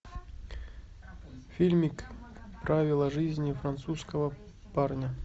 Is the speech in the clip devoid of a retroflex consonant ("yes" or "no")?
no